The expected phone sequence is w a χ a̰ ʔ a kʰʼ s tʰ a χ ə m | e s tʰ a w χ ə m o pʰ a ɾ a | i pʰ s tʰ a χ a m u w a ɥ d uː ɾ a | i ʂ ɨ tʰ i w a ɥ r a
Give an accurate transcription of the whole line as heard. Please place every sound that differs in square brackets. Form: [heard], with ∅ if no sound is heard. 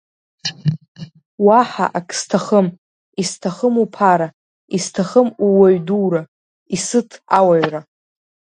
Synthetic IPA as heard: w a [ħ] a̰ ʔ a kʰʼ s tʰ a χ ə m | [i] s tʰ a [∅] χ ə m [u] pʰ a ɾ a | i [∅] s tʰ a χ [ə] m u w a ɥ d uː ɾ a | i [s] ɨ tʰ [a] w a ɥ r a

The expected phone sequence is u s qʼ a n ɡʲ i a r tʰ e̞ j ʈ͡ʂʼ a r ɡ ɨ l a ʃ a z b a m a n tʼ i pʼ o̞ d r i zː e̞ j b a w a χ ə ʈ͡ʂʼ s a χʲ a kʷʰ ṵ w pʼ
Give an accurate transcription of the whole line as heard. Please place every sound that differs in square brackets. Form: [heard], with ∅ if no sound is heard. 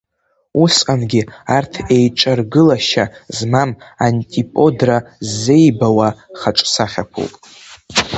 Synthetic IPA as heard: u s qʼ a n ɡʲ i a r tʰ e̞ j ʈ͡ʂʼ a r ɡ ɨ l a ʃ a z [m] a m a n tʼ i pʼ o̞ d r [a] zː e̞ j b a w a χ [a] ʈ͡ʂʼ s a χʲ a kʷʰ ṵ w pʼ

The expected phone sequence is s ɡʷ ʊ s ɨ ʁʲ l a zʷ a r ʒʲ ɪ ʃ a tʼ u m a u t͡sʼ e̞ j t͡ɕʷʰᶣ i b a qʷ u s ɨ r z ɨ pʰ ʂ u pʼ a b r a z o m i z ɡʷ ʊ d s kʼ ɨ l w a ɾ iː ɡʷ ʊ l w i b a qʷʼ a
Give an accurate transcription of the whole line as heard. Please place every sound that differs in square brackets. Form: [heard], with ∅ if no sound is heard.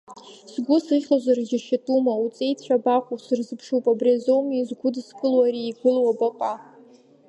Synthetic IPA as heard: s ɡʷ ʊ s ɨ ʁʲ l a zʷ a r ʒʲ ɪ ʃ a tʼ u m a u t͡sʼ e̞ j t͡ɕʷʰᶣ [a] b a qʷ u s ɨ r z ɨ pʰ ʂ u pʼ a b r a z o m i z ɡʷ ʊ d s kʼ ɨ l w a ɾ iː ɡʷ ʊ l w [a] b a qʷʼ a

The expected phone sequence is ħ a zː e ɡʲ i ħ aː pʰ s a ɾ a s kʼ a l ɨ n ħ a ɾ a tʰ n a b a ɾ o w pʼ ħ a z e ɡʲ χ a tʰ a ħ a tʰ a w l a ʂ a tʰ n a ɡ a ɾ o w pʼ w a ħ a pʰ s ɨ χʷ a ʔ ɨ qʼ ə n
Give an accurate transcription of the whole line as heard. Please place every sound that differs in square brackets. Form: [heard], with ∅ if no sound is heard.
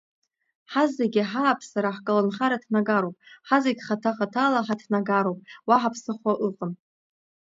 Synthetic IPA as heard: ħ a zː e ɡʲ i ħ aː pʰ s a ɾ a [ħ] kʼ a l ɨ n [χ] a ɾ a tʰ n a [ɡ] a ɾ o w pʼ ħ a z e ɡʲ χ a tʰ a [χ] a tʰ a [∅] l a [ħ] a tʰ n a ɡ a ɾ o w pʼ w a ħ a pʰ s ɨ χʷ a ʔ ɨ qʼ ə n

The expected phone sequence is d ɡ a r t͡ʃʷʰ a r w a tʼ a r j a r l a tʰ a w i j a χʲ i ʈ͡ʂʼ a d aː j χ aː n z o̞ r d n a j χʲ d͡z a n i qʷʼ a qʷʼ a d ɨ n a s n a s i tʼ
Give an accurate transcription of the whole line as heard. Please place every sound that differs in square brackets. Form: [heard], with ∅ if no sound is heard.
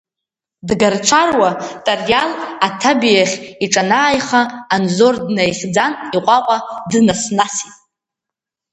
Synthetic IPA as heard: d ɡ a r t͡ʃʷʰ a r w a tʼ a r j a [∅] l a tʰ a [b] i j a χʲ i ʈ͡ʂʼ a [n] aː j χ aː n z o̞ r d n a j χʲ d͡z a n i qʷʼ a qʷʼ a d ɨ n a s n a s i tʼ

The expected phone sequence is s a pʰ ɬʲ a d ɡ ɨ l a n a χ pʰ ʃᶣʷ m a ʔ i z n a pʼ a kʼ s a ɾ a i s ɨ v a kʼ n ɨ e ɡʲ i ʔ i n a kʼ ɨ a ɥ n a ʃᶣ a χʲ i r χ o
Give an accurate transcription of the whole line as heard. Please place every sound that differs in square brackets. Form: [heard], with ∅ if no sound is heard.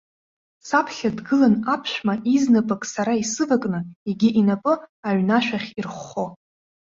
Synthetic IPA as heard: s a pʰ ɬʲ a d ɡ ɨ l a n a [∅] pʰ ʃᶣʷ m a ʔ i z n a pʼ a kʼ s a ɾ a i s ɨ v a kʼ n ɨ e ɡʲ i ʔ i n a [pʼ] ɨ a ɥ n a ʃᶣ a χʲ i r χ o

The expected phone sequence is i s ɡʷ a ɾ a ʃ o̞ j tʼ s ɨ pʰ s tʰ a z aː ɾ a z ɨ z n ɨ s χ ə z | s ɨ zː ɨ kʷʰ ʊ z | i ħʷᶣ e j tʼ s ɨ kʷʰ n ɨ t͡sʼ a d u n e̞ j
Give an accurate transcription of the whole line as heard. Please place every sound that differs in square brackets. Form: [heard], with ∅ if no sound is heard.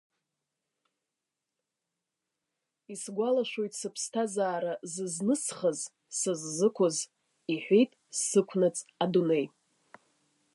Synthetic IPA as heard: i s ɡʷ a [l] a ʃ o̞ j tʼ s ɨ pʰ s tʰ a z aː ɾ a z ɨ z n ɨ s χ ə z | s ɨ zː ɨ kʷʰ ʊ z | i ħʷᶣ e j tʼ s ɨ kʷʰ n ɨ t͡sʼ a d u n e̞ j

